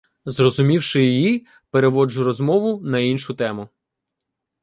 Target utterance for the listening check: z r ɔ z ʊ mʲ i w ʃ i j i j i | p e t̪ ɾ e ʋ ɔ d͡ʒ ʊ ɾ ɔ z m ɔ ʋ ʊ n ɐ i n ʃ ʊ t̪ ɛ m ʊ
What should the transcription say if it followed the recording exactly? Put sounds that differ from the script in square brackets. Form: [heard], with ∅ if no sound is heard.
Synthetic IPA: z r ɔ z ʊ mʲ i w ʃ [ɪ] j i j i | p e [∅] ɾ e ʋ ɔ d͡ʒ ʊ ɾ ɔ z m ɔ ʋ ʊ n ɐ i n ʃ ʊ t̪ ɛ m ʊ